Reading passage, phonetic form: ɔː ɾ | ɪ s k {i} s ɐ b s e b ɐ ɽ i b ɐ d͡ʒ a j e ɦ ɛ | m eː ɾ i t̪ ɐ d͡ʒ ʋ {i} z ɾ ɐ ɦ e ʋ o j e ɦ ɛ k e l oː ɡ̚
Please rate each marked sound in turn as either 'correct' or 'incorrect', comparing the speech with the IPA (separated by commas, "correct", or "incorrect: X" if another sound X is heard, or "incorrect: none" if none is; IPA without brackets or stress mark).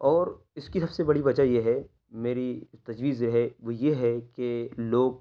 correct, incorrect: iː